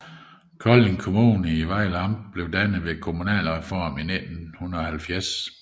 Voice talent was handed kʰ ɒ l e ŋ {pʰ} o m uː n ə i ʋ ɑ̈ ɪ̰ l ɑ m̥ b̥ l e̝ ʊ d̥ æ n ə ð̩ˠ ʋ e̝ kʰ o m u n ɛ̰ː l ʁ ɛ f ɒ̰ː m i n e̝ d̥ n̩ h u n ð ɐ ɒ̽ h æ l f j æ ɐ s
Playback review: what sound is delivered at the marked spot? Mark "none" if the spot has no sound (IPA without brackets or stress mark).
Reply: kʰ